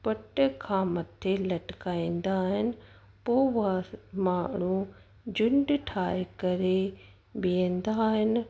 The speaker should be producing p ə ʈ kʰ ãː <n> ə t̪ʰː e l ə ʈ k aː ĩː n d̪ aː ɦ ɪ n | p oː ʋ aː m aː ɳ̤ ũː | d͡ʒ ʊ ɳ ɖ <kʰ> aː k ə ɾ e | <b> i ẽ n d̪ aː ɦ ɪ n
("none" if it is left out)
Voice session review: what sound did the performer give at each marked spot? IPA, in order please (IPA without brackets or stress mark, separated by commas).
m, ʈʰ, b